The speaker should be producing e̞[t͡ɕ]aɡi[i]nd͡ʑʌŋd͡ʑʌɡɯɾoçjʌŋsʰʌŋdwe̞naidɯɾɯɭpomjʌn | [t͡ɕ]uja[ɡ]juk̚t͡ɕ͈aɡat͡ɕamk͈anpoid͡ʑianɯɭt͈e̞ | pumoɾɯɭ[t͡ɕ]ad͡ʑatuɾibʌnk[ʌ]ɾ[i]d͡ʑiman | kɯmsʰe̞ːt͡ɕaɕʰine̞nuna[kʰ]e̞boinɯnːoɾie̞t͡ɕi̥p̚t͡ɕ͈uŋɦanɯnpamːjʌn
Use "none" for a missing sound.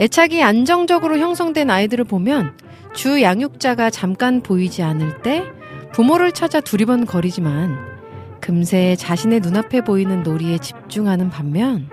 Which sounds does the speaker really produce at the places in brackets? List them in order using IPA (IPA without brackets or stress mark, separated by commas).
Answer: t͡ɕʰ, a, t͡ɕ, ŋ, t͡ɕʰ, ʌ, i, pʰ